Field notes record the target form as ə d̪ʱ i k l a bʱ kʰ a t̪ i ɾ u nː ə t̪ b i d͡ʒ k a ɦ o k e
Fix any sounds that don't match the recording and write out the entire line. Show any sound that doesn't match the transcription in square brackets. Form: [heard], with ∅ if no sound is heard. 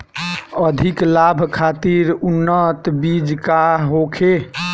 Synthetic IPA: ə d̪ʱ i k l a bʱ kʰ a t̪ i ɾ u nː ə t̪ b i d͡ʒ k a ɦ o [kʰ] e

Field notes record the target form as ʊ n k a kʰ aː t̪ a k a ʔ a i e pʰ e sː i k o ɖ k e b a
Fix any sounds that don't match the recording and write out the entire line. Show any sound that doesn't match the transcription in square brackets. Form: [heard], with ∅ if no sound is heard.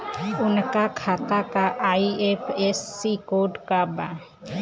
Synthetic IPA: ʊ n k a kʰ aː t̪ a k a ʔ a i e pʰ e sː i k o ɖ k [a] b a

